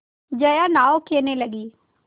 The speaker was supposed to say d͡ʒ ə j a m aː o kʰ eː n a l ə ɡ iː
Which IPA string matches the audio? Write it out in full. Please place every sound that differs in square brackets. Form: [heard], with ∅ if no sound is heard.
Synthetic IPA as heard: d͡ʒ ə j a [n] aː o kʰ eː n [e] l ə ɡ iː